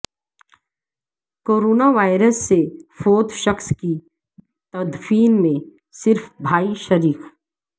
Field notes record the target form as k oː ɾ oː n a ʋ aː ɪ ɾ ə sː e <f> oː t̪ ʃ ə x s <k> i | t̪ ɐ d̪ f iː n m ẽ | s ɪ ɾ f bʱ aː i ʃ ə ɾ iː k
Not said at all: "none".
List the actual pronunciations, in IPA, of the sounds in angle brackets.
f, k

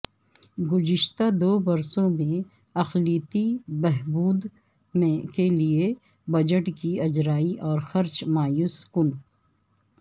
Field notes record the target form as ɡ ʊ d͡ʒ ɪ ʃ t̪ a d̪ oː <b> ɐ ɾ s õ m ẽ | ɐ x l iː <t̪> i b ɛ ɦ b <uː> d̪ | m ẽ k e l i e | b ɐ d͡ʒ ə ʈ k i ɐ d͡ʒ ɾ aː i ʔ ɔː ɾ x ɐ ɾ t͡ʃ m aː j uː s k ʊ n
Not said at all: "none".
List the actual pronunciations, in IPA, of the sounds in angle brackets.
b, t̪, uː

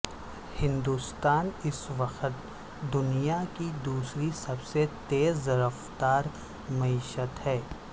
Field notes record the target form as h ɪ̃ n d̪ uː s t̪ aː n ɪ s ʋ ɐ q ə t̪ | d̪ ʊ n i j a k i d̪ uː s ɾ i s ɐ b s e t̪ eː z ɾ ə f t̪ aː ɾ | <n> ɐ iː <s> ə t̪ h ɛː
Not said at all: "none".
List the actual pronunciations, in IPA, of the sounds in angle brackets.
m, ʃ

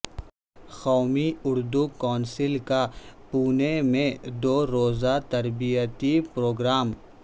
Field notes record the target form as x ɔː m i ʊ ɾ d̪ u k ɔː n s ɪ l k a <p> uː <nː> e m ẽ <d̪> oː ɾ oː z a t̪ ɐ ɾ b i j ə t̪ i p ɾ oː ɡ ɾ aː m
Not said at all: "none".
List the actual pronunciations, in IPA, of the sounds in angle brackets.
p, n, d̪

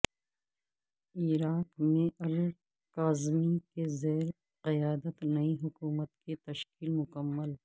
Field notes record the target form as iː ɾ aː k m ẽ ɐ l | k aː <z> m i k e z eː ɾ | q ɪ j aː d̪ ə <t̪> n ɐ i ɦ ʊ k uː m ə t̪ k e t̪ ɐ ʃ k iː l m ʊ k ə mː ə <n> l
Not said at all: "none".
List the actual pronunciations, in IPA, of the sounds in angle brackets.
z, t̪, none

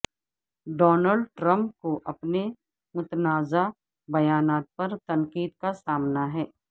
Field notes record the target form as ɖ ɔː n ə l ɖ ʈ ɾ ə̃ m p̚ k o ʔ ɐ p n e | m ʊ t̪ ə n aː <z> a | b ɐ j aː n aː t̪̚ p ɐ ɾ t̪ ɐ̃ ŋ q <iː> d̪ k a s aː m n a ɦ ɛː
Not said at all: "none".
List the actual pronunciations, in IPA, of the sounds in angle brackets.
z, iː

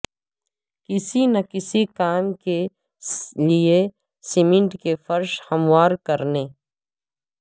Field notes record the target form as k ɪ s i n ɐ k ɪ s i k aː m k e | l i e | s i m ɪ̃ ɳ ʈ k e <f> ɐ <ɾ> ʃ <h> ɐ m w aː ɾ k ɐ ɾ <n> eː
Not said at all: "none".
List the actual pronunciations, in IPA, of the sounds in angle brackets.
f, ɾ, h, n

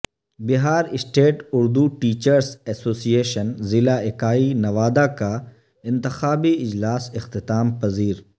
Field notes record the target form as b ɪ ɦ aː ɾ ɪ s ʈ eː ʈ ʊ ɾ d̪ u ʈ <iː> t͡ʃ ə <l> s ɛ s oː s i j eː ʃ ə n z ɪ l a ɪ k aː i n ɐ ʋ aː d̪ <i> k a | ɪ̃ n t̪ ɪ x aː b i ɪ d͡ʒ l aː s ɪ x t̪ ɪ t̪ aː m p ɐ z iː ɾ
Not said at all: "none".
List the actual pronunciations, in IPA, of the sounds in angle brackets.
iː, ɾ, a

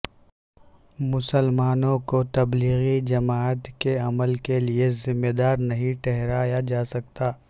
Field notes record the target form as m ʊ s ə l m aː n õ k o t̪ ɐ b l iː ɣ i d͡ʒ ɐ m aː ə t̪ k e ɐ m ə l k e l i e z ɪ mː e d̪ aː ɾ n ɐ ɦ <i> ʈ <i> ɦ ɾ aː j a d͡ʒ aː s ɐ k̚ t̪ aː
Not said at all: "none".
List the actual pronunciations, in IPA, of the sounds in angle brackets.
ĩ, ɛ

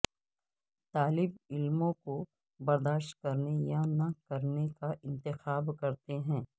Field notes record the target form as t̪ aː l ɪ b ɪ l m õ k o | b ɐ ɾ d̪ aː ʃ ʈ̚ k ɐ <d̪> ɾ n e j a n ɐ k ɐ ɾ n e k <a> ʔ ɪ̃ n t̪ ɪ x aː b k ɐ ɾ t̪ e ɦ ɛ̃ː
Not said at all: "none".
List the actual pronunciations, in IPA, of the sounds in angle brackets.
none, a

